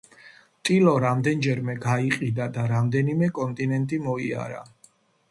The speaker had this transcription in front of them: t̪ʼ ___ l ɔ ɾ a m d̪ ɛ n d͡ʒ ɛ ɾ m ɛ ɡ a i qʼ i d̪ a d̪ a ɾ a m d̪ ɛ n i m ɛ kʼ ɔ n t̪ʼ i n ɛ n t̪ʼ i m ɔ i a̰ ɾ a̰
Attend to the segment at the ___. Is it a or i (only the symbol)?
i